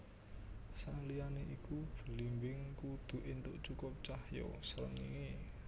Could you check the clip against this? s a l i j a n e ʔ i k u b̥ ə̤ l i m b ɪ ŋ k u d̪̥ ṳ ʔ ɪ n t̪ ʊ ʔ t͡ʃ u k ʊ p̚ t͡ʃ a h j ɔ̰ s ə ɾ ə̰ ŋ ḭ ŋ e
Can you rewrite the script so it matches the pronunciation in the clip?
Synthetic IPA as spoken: s a l i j a n e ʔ i k u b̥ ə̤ l i m b ɪ ŋ k u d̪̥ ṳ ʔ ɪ n t̪ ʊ ʔ t͡ʃ u k ʊ p̚ t͡ʃ a h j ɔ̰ s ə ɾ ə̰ ŋ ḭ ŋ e